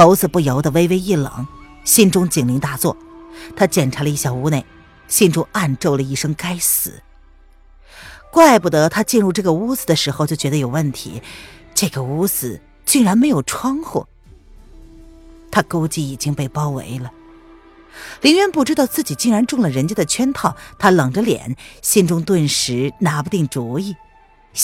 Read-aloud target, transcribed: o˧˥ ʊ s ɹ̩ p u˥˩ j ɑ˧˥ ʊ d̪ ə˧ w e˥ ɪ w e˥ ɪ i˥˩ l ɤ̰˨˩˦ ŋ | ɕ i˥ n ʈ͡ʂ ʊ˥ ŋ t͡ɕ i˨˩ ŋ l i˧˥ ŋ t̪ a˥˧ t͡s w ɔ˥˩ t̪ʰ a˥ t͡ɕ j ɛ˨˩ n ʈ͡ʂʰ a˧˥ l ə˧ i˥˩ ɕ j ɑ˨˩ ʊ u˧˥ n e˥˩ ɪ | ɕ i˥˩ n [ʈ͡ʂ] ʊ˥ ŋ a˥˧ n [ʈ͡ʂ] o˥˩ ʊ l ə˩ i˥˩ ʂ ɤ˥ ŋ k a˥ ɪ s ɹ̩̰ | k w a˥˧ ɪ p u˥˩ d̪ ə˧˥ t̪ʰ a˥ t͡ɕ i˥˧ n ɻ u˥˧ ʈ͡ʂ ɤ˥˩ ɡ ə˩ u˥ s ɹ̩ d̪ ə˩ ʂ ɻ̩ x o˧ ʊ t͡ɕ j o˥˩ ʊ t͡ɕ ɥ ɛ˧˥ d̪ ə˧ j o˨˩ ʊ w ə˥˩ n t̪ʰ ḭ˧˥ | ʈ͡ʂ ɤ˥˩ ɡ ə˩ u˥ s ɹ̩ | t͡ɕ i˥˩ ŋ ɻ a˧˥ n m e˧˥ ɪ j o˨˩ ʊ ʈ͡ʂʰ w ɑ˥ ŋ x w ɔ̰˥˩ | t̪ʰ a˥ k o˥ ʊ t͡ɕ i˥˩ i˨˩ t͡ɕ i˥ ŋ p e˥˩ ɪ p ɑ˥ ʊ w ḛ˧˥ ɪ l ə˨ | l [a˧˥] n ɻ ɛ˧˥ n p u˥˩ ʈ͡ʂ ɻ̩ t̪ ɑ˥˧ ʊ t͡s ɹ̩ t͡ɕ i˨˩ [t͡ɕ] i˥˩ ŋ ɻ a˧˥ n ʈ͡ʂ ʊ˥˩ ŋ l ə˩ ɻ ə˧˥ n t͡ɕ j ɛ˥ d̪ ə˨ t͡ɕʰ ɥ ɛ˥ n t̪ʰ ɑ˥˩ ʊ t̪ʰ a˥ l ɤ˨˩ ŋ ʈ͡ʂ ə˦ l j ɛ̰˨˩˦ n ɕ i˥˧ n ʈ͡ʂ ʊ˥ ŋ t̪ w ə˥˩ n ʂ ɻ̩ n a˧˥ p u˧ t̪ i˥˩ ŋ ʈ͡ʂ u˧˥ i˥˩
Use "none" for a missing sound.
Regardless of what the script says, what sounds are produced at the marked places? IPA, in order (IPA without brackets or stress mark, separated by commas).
ʈ͡ʂ, ʈ͡ʂ, i˧˥, t͡ɕ